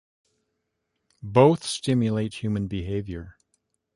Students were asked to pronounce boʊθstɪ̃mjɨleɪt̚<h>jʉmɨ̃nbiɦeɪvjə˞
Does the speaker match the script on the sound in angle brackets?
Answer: yes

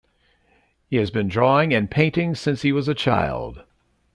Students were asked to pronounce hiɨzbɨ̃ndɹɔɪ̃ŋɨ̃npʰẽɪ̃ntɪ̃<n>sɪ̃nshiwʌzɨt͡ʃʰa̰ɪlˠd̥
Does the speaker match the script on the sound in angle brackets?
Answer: no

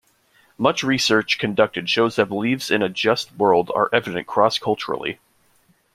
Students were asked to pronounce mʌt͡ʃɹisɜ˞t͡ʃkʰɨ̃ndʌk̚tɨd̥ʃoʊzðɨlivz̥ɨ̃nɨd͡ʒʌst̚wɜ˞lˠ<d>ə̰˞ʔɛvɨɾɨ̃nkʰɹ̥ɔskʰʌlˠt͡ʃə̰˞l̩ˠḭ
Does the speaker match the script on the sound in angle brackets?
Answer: yes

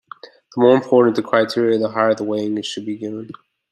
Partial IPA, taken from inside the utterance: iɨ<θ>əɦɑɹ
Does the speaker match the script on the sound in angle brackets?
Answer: no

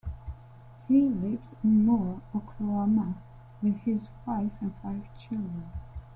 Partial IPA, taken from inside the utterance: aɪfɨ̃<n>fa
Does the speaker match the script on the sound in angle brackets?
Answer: yes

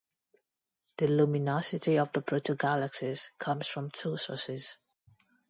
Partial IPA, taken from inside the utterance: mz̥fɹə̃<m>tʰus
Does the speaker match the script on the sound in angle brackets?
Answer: yes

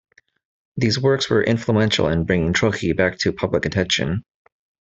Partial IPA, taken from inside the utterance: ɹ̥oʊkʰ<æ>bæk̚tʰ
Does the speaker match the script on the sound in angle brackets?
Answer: no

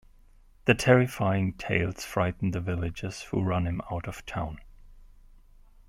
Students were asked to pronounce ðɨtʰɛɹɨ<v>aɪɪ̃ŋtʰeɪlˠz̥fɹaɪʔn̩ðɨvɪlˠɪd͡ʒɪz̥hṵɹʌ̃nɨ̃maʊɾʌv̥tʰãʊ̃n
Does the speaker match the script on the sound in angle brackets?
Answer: no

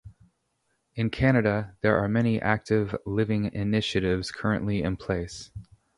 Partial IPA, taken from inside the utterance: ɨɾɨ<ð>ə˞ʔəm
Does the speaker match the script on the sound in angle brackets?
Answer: yes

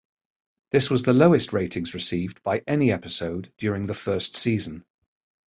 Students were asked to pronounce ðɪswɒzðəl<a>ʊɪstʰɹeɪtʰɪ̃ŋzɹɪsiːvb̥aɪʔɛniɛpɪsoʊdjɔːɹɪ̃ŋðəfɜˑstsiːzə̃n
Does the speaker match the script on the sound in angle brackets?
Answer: no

